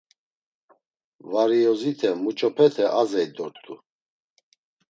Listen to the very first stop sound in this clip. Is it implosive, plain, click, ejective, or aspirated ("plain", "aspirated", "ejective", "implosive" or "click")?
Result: aspirated